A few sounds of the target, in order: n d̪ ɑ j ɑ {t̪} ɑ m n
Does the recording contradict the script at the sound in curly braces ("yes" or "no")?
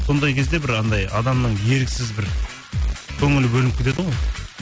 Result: yes